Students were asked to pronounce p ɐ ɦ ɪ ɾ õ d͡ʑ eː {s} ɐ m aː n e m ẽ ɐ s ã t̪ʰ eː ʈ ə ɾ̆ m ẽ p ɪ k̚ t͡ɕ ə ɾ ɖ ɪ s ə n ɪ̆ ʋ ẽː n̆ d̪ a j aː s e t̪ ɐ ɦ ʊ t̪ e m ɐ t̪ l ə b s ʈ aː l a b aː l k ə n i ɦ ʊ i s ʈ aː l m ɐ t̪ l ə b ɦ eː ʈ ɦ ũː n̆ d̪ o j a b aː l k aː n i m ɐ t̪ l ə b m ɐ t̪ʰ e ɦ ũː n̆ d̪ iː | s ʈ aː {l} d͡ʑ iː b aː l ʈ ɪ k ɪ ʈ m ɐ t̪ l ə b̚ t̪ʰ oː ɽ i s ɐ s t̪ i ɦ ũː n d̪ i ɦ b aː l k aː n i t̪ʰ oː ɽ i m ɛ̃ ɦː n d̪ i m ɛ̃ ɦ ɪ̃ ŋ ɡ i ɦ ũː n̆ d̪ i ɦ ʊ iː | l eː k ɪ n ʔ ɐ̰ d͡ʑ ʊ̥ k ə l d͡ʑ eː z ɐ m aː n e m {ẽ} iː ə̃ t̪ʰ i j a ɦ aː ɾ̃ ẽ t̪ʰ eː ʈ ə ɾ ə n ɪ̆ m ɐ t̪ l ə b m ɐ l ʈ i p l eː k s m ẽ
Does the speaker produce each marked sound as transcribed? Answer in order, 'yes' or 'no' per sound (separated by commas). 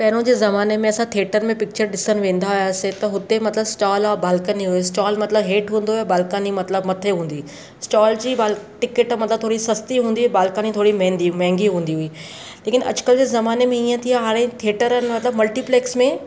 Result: no, yes, yes